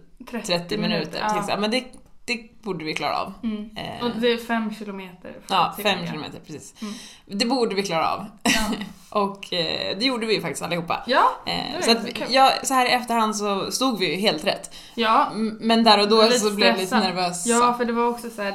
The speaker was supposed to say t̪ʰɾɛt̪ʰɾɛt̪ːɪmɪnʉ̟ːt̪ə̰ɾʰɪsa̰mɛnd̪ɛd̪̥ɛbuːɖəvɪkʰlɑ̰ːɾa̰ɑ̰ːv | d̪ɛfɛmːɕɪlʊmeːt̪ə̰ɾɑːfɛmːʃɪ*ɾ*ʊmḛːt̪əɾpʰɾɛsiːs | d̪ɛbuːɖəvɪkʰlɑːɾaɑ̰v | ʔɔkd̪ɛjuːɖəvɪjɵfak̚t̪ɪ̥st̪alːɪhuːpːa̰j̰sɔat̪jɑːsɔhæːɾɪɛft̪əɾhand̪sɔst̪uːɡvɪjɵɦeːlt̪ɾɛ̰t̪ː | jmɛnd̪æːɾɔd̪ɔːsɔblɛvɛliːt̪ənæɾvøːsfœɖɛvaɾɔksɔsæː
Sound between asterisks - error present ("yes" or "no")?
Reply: yes